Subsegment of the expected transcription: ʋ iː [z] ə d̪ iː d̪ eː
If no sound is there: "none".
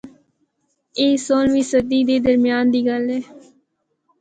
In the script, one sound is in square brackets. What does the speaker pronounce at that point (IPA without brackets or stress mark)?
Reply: s